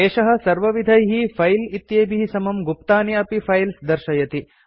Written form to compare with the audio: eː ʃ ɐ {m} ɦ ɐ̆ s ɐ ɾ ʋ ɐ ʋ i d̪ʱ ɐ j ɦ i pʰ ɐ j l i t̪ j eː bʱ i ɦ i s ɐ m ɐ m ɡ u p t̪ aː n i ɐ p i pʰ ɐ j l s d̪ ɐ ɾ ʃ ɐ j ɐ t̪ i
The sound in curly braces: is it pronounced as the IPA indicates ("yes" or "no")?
no